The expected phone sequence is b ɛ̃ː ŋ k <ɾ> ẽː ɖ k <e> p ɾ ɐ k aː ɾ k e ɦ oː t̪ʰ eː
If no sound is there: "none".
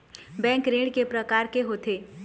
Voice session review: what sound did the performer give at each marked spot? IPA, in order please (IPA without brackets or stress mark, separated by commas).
ɾ, e